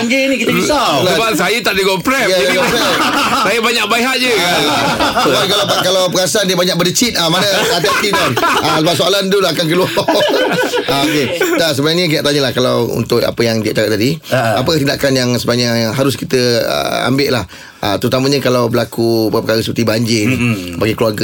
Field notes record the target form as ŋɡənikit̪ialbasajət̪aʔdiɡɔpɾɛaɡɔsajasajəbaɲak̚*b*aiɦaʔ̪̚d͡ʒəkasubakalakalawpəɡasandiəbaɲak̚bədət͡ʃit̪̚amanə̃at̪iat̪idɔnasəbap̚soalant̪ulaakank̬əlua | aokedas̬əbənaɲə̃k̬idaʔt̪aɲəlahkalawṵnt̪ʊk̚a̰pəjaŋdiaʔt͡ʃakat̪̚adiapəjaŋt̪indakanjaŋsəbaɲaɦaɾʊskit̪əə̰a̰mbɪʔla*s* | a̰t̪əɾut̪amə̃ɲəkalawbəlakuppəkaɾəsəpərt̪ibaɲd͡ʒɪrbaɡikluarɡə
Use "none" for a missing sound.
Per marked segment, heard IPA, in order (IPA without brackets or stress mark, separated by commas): b, h